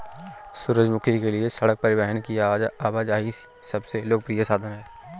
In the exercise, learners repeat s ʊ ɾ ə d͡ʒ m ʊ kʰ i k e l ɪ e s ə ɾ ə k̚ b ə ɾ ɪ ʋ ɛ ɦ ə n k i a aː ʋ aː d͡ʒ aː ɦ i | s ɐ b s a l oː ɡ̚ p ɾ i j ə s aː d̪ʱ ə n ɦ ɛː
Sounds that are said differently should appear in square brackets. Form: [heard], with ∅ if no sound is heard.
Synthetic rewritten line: s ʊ ɾ ə d͡ʒ m ʊ kʰ i k e l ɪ e s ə [ɽ] ə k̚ [p] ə ɾ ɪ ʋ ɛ ɦ ə n k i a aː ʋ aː d͡ʒ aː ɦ i | s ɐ b s [e] l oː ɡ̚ p ɾ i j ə s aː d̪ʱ ə n ɦ ɛː

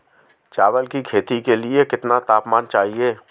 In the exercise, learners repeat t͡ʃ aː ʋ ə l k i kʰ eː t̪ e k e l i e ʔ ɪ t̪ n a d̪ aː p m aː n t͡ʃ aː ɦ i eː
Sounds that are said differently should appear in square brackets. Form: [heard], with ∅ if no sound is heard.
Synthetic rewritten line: t͡ʃ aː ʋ ə l k i kʰ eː t̪ [i] k e l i e [k] ɪ t̪ n a [t̪] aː p m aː n t͡ʃ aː ɦ i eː

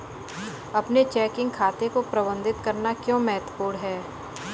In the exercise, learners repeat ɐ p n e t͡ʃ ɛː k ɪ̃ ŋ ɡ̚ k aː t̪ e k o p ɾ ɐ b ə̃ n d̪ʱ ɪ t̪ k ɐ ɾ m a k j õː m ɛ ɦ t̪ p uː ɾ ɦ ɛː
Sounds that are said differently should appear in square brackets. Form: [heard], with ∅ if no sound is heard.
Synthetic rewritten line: ɐ p n e t͡ʃ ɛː k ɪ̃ ŋ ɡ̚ [kʰ] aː t̪ e k o p ɾ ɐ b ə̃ n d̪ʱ ɪ t̪ k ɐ ɾ [n] a k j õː m ɛ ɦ t̪ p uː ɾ ɦ ɛː

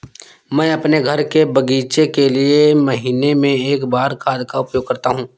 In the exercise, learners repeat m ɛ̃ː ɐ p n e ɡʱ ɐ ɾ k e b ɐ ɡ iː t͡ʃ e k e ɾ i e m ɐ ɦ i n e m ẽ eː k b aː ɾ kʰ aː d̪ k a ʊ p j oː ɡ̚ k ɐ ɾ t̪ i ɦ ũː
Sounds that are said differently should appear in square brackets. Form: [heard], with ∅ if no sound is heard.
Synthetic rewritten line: m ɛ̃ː ɐ p n e ɡʱ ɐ ɾ k e b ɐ ɡ iː t͡ʃ e k e [l] i e m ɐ ɦ [iː] n e m ẽ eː k b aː ɾ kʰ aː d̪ k a ʊ p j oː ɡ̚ k ɐ ɾ t̪ [a] ɦ ũː

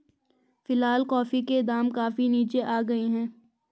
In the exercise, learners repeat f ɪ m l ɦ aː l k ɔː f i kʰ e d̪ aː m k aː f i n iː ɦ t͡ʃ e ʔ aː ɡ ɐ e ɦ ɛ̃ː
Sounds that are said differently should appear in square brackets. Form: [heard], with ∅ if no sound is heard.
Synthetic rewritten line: f ɪ [∅] l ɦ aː l k ɔː f i [k] e d̪ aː m k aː f i n iː [∅] t͡ʃ e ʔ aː ɡ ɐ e ɦ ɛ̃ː

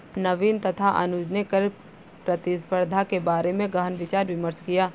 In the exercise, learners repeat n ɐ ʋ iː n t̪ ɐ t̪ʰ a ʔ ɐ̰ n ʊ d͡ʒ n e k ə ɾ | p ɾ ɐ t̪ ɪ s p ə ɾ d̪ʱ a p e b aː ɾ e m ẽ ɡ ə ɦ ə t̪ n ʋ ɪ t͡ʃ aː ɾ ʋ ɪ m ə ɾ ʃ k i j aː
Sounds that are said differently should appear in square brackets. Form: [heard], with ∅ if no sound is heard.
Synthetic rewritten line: n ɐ ʋ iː n t̪ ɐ t̪ʰ a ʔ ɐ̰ n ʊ d͡ʒ n e k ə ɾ | p ɾ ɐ t̪ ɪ s p ə ɾ d̪ʱ a [k] e b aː ɾ e m ẽ ɡ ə ɦ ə [∅] n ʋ ɪ t͡ʃ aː ɾ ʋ ɪ m ə ɾ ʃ k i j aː

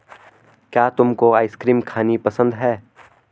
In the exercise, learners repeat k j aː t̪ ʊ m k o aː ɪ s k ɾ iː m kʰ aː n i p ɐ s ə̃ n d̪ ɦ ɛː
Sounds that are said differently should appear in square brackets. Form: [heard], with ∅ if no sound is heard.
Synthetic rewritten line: k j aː t̪ ʊ m k o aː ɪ s k ɾ iː m kʰ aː n i p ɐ s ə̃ n d̪ ɦ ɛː

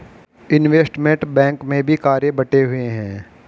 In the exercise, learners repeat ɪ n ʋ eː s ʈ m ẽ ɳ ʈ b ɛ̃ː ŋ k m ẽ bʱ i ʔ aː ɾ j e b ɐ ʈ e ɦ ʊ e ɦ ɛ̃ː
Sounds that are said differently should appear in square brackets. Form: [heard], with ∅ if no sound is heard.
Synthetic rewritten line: ɪ n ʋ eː s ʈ m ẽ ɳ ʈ b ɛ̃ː ŋ k m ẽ bʱ i [k] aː ɾ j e b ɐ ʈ e ɦ ʊ e ɦ ɛ̃ː

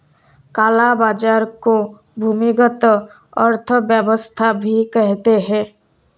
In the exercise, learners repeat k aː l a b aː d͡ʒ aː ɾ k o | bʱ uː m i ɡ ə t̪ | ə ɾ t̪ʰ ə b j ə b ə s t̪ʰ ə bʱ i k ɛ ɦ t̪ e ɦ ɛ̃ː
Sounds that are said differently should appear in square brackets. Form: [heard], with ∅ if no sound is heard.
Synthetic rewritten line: k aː l a b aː d͡ʒ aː ɾ k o | bʱ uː m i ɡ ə t̪ | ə ɾ t̪ʰ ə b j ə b ə s t̪ʰ [a] bʱ i k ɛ ɦ t̪ e ɦ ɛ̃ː

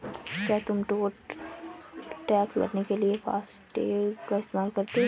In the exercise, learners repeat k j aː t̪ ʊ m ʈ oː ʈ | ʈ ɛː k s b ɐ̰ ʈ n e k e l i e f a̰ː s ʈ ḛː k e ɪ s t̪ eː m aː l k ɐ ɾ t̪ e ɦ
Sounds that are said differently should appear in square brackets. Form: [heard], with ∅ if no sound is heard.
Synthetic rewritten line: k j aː t̪ ʊ m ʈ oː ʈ | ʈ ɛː k s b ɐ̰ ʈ n e k e l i e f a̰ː s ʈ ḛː k [a] ɪ s t̪ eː m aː l k ɐ ɾ t̪ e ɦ

